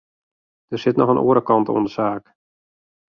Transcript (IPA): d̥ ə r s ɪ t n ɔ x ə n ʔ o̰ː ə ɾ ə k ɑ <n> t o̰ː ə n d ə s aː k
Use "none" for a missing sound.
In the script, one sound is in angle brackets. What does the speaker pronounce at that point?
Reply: n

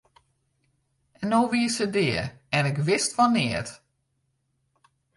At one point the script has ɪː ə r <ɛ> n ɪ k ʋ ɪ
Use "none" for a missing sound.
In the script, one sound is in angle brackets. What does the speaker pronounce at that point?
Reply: ɛ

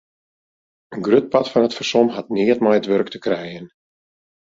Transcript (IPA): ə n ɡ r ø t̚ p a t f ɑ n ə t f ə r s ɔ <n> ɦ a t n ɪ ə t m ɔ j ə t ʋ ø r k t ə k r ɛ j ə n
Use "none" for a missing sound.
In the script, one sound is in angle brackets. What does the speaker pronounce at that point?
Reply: m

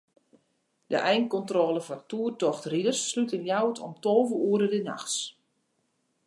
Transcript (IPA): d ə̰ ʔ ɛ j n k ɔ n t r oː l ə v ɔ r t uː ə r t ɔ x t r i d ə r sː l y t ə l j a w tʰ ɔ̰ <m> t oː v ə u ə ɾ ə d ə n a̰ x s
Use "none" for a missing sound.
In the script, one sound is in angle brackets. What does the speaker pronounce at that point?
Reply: m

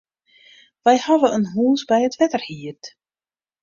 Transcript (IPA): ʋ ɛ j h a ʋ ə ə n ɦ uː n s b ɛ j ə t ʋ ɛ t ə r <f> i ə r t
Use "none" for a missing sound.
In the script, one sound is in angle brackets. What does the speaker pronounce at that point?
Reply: h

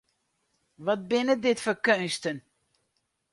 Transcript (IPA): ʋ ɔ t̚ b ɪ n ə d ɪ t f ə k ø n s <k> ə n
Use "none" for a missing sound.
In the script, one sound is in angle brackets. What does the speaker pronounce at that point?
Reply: t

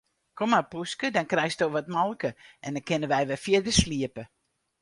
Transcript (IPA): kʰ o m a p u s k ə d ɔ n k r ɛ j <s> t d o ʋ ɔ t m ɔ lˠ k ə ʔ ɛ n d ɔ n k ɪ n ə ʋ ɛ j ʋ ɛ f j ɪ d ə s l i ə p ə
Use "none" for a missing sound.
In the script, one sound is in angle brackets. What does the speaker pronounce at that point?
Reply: s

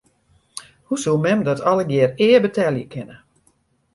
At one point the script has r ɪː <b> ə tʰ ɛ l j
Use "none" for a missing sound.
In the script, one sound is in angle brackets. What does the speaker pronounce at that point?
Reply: b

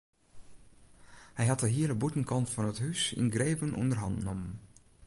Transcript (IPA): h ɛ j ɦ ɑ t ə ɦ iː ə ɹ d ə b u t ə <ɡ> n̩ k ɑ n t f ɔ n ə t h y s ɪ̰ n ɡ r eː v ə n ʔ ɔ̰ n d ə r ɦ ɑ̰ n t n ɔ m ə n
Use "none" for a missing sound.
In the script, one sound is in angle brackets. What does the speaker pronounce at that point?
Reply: none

